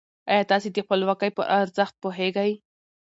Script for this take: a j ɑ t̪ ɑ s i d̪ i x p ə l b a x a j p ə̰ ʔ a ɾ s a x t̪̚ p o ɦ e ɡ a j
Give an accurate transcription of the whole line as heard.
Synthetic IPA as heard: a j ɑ t̪ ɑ s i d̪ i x p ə l w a k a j p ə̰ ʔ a ɾ z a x t̪̚ p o ɦ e ɡ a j